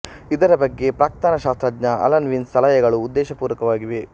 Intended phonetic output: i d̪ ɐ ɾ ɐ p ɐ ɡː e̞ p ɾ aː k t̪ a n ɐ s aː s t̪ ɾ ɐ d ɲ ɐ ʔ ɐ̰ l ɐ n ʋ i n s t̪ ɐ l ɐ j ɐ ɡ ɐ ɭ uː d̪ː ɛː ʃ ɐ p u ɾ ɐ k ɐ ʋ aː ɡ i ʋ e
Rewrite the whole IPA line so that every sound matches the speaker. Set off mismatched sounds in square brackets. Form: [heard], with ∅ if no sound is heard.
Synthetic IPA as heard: i d̪ ɐ ɾ ɐ [b] ɐ ɡː e̞ p ɾ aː k t̪ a n ɐ [ʃ] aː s t̪ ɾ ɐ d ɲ ɐ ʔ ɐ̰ l ɐ n ʋ i n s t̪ ɐ l ɐ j ɐ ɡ ɐ ɭ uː d̪ː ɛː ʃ ɐ p [uː] ɾ ɐ k ɐ ʋ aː ɡ i ʋ e